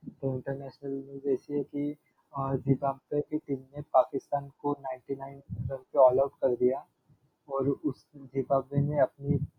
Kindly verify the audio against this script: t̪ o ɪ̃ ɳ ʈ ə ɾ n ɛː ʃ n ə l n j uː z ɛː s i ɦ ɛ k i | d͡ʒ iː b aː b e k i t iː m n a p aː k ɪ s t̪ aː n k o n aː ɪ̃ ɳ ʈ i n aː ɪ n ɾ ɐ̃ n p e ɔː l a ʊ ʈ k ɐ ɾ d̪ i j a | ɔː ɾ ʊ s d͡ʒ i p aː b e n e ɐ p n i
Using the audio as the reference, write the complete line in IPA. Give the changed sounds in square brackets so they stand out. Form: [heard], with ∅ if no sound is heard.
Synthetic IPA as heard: t̪ o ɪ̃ ɳ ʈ ə ɾ n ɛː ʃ n ə l n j uː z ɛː s i ɦ ɛ k i | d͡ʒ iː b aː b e k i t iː m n [e] p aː k ɪ s t̪ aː n k o n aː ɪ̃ ɳ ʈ i n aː ɪ n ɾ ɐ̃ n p e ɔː l a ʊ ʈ k ɐ ɾ d̪ i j a | ɔː ɾ ʊ s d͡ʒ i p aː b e n e ɐ p n i